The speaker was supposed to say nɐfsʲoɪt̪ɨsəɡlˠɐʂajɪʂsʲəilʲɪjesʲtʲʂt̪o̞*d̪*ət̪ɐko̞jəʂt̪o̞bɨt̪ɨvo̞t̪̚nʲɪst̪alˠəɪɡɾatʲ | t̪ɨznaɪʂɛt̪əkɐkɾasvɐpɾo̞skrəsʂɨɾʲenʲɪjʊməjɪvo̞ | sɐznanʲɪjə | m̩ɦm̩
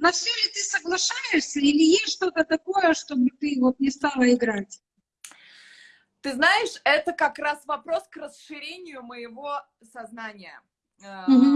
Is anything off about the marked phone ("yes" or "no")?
yes